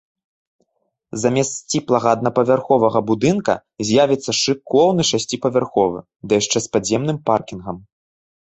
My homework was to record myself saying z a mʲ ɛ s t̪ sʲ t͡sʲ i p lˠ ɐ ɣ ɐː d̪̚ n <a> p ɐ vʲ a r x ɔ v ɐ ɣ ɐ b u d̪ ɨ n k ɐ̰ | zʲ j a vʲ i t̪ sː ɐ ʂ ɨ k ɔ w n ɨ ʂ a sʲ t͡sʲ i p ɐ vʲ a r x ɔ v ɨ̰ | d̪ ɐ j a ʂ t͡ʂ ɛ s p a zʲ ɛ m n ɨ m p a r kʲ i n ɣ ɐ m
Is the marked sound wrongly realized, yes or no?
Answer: yes